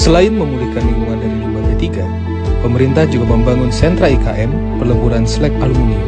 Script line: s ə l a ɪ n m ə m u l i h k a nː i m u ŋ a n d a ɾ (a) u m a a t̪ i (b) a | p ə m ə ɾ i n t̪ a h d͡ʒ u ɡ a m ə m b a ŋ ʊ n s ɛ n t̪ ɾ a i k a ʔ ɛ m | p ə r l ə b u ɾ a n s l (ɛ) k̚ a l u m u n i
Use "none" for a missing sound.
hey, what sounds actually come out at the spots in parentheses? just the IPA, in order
i, ɡ, ɛ

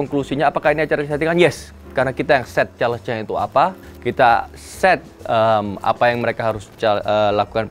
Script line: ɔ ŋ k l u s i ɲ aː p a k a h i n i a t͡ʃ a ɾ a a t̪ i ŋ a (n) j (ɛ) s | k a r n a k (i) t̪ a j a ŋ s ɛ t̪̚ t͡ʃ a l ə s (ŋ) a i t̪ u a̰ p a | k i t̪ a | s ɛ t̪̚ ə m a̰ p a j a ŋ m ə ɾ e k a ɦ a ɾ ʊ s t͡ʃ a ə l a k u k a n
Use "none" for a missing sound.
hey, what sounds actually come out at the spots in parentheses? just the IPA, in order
n, ɛ, i, ɲ

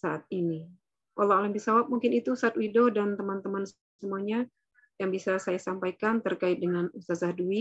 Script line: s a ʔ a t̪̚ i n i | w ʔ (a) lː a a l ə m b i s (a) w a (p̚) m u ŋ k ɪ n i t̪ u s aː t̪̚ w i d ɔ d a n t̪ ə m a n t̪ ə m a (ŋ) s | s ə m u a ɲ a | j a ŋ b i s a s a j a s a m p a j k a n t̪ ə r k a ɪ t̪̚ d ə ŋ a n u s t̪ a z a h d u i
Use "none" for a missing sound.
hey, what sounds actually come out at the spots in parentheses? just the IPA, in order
a, a, p̚, n

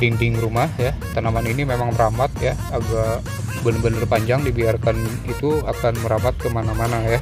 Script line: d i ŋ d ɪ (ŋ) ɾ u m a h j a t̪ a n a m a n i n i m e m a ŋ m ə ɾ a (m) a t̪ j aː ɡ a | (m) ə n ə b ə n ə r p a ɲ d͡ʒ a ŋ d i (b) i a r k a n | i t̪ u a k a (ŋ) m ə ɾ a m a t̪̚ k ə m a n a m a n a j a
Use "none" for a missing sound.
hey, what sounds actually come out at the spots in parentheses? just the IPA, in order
ŋ, m, b, b, n

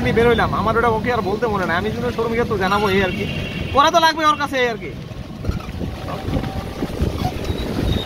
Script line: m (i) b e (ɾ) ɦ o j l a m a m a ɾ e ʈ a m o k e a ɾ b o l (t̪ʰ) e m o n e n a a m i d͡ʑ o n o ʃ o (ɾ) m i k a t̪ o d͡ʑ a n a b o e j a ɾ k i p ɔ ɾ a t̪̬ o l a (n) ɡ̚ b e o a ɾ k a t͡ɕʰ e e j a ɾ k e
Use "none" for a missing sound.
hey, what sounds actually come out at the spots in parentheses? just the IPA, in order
i, ɾ, t̪, ɾ, none

